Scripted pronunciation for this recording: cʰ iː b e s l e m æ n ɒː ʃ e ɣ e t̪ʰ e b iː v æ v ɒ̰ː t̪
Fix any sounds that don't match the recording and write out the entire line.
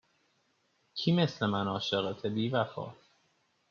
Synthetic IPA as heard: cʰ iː m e s l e m æ n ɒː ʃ e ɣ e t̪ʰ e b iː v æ f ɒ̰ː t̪